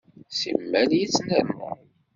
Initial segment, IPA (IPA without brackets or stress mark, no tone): s